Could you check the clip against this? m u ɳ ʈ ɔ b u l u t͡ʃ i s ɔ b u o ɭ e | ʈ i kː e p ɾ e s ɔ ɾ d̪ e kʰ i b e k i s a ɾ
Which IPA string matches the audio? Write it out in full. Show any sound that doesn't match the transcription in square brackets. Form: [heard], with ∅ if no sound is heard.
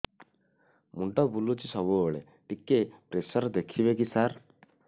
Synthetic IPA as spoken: m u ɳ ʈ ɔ b u l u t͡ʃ i s ɔ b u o ɭ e | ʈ i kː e p ɾ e s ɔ ɾ d̪ e kʰ i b e k i s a ɾ

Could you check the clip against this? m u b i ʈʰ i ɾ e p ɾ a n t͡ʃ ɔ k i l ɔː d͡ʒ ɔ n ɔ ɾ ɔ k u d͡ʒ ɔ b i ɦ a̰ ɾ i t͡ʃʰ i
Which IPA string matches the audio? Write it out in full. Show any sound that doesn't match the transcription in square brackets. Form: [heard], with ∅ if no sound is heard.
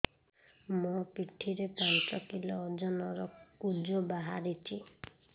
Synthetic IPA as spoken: m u [p] i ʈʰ i ɾ e p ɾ a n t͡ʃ ɔ k i l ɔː d͡ʒ ɔ n ɔ ɾ ɔ k u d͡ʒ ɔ b [a] ɦ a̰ ɾ i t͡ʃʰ i

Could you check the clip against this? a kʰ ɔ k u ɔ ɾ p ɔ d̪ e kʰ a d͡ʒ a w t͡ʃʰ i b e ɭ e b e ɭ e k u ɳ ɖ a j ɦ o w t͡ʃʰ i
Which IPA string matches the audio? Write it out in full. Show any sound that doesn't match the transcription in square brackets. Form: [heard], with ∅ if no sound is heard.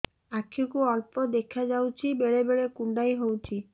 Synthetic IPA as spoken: a kʰ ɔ k u ɔ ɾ p ɔ d̪ e kʰ a d͡ʒ a w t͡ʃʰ i b e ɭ e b e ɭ e k u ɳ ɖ a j ɦ o w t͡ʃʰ i

